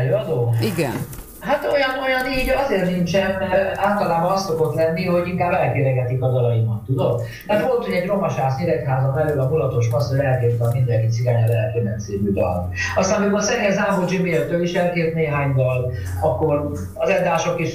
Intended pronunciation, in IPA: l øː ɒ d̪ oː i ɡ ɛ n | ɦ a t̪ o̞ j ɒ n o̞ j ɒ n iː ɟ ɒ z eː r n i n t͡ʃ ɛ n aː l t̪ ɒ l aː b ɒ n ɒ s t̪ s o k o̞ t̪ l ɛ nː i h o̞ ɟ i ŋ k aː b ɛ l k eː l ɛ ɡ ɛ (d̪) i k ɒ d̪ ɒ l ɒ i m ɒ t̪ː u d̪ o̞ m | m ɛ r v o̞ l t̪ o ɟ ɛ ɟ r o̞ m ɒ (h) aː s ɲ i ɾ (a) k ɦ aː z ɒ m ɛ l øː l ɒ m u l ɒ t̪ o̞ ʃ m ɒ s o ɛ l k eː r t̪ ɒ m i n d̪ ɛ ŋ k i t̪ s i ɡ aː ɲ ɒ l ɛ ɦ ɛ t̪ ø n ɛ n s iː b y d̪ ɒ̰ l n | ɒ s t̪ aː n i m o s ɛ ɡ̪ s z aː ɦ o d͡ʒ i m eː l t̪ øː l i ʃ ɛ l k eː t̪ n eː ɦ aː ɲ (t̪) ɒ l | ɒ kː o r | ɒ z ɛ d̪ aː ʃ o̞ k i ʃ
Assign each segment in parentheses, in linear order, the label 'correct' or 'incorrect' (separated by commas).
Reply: incorrect, incorrect, incorrect, incorrect